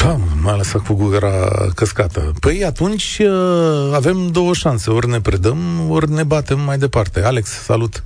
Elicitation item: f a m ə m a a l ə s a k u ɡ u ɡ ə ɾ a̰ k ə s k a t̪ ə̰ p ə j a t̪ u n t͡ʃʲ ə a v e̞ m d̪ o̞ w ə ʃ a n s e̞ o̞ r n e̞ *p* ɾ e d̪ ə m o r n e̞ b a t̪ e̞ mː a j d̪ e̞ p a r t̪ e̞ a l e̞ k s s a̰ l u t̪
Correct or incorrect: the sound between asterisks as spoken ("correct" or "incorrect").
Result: correct